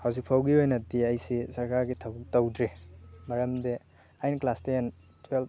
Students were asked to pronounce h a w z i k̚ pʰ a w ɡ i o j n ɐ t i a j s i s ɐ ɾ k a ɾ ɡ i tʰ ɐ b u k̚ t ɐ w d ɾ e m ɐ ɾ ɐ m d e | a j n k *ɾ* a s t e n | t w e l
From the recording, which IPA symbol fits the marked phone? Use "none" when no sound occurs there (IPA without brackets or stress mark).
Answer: l